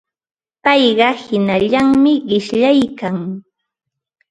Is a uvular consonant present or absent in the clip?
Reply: present